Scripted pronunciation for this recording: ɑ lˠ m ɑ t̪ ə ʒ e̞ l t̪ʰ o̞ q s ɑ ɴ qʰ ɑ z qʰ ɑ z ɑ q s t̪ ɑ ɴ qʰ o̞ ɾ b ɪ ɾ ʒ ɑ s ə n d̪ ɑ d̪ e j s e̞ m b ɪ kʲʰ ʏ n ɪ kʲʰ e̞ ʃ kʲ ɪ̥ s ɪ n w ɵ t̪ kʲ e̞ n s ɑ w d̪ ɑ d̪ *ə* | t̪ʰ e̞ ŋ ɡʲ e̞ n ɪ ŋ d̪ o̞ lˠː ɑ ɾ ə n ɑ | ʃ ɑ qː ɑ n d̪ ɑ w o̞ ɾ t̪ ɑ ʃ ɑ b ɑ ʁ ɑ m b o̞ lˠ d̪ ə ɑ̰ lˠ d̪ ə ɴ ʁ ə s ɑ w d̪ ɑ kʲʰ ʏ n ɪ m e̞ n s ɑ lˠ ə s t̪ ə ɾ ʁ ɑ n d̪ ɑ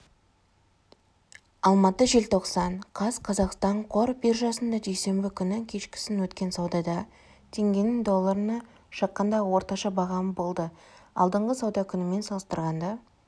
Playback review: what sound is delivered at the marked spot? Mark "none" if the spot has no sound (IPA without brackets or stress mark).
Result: ɑ